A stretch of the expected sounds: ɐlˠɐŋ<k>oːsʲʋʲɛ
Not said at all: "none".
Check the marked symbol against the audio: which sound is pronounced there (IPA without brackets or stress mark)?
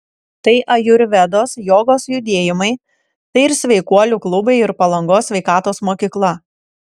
ɡ